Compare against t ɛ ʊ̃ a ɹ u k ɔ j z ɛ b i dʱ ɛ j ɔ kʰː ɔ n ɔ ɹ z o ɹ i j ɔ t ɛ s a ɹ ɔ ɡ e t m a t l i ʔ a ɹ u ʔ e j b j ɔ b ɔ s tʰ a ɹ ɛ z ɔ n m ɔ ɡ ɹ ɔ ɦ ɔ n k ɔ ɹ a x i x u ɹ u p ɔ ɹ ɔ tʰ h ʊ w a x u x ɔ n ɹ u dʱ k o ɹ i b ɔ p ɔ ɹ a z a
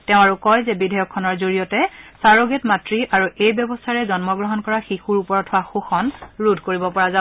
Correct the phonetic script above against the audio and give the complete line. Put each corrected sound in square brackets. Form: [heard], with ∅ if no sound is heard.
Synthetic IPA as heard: t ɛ ʊ̃ a ɹ u k ɔ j z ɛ b i dʱ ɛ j ɔ kʰː ɔ n ɔ ɹ z o ɹ i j ɔ t ɛ s a ɹ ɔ ɡ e t m a t [ɹ] i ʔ a ɹ u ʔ e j b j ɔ b ɔ s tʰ a ɹ ɛ z ɔ n m ɔ ɡ ɹ ɔ ɦ ɔ n k ɔ ɹ a x i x u ɹ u p ɔ ɹ ɔ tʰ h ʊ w a x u x ɔ n ɹ u dʱ k o ɹ i b ɔ p ɔ ɹ a z a